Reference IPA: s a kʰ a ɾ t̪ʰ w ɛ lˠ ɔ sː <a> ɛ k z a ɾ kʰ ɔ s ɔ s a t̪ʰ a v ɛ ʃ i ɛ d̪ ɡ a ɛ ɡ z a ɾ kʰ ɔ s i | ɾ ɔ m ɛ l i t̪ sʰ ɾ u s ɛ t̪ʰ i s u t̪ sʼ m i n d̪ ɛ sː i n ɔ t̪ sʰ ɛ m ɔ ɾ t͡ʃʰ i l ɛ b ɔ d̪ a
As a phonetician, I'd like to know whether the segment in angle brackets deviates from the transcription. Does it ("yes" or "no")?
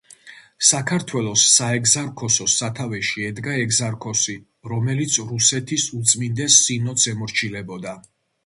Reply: no